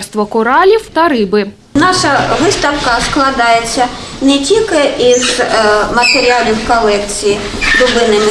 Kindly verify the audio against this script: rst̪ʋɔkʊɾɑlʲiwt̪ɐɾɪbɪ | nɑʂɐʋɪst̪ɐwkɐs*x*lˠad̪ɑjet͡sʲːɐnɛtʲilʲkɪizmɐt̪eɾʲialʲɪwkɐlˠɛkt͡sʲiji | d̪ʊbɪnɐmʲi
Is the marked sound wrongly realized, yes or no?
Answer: yes